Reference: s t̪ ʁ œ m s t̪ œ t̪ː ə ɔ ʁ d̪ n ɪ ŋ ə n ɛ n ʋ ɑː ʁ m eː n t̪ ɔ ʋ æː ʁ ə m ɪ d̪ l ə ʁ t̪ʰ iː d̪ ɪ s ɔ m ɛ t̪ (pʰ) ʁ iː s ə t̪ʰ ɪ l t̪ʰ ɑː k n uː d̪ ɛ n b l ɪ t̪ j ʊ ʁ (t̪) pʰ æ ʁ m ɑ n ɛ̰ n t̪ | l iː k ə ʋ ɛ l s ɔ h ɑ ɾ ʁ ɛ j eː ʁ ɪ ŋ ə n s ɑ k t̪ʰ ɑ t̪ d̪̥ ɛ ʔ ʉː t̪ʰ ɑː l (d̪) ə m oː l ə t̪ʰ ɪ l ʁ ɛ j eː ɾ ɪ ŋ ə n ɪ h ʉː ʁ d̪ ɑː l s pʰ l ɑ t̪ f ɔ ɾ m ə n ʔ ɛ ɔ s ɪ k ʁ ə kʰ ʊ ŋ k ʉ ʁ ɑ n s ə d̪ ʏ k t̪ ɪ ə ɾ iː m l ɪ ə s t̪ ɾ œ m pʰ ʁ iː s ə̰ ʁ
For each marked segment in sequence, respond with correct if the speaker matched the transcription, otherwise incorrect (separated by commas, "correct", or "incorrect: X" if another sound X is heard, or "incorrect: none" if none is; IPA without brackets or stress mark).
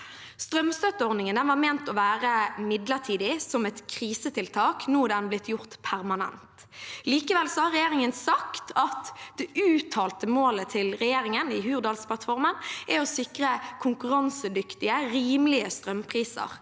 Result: incorrect: kʰ, correct, incorrect: t̪